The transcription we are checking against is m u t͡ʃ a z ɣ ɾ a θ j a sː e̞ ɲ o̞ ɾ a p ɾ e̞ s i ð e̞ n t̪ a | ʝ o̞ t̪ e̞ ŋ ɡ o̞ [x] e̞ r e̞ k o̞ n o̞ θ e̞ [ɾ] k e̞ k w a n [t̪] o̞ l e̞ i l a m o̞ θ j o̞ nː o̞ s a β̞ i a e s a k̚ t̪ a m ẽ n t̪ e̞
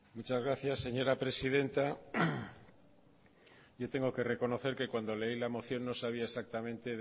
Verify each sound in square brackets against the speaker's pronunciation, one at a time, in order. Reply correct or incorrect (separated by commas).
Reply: incorrect, correct, incorrect